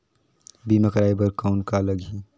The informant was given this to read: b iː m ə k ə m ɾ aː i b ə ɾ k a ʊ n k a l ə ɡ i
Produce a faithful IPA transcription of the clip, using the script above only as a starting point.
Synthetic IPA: b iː m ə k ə ɾ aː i b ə ɾ k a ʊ n k a l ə ɡ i